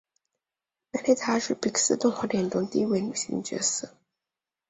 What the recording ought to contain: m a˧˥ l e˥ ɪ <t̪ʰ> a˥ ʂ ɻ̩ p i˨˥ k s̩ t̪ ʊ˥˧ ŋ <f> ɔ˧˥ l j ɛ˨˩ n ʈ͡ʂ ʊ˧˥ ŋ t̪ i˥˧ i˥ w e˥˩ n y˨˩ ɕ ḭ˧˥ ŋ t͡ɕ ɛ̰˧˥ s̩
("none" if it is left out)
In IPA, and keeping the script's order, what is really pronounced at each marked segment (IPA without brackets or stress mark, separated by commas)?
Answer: t̪ʰ, x